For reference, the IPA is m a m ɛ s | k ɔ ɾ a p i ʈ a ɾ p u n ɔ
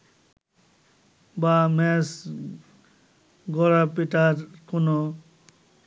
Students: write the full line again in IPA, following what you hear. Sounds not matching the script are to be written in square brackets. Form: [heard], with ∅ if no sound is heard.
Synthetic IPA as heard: [b] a m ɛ s | [ɡ] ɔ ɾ a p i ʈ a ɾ [k] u n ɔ